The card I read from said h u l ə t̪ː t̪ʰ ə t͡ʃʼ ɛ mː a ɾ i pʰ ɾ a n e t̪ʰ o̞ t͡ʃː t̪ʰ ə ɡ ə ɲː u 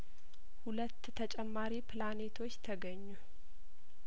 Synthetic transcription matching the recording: h u l ə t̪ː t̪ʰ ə t͡ʃʼ ɛ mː a ɾ i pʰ l a n e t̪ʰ o̞ t͡ʃː t̪ʰ ə ɡ ə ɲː u